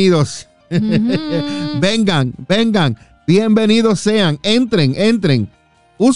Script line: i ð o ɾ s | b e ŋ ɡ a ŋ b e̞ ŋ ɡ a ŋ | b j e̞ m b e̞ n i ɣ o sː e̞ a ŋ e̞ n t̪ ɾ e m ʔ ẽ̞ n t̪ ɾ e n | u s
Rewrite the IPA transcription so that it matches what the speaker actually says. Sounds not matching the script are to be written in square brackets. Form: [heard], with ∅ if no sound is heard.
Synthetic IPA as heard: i ð o [∅] s | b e ŋ ɡ a ŋ b e̞ ŋ ɡ a ŋ | b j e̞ m b e̞ n i [ð] o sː e̞ a ŋ e̞ n t̪ ɾ e [ŋ] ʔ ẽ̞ n t̪ ɾ e [ŋ] | u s